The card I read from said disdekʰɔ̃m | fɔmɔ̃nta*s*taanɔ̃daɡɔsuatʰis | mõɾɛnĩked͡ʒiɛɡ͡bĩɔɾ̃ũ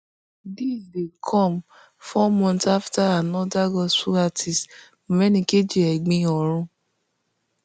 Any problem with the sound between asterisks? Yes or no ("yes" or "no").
yes